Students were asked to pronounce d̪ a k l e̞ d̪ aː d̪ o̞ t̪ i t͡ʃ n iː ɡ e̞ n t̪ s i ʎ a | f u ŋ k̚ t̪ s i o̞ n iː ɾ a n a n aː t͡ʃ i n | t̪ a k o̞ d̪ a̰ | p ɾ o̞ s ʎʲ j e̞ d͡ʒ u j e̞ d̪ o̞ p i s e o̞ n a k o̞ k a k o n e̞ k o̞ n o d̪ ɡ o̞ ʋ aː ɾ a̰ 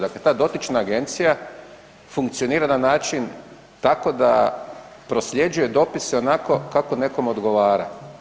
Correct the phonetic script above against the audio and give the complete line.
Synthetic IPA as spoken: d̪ a k l e̞ t̪ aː d̪ o̞ t̪ i t͡ʃ n aː ɡ e̞ n t̪ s i j a | f u ŋ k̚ t̪ s i o̞ n iː ɾ a n a n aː t͡ʃ i n | t̪ a k o̞ d̪ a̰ | p ɾ o̞ s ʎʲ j e̞ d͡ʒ u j e̞ d̪ o̞ p i s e o̞ n a k o̞ k a k o n e̞ k o̞ m o d̪ ɡ o̞ ʋ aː ɾ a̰